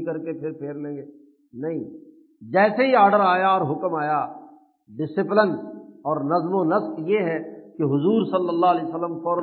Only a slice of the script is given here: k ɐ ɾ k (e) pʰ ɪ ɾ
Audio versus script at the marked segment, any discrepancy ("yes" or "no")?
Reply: no